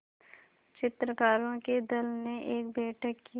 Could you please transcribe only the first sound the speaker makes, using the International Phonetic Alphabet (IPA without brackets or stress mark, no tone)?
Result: t͡ʃ